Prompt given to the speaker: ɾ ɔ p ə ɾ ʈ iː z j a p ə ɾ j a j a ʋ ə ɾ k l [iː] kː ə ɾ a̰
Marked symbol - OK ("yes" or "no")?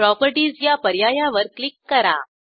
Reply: no